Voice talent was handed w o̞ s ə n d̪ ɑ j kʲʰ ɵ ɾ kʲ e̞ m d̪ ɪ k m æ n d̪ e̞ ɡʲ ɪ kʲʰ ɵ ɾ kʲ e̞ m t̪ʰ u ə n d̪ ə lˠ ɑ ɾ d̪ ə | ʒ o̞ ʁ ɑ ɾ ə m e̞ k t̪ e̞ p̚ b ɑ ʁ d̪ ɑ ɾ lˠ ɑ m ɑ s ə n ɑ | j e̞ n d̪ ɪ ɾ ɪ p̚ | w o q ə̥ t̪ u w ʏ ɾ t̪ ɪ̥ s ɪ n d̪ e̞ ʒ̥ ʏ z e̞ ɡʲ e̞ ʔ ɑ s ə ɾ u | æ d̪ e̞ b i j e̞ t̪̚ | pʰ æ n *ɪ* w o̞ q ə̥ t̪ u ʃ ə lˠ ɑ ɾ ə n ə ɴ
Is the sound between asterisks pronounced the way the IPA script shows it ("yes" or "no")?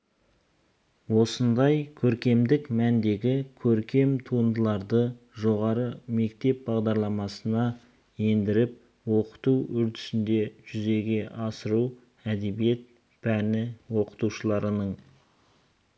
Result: yes